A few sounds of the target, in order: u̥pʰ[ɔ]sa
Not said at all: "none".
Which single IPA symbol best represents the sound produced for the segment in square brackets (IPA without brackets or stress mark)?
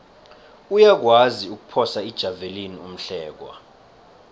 ɔ